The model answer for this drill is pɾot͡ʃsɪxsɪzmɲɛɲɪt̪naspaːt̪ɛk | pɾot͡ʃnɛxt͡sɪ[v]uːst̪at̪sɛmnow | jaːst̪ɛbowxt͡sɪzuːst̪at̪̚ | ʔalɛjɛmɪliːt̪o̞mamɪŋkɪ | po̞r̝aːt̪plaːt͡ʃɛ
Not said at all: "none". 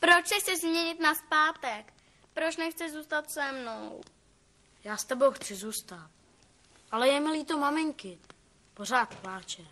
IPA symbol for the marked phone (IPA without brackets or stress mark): z